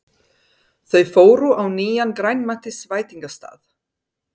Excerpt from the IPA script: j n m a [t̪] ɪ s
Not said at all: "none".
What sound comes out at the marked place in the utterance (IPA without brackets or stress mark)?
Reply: t̪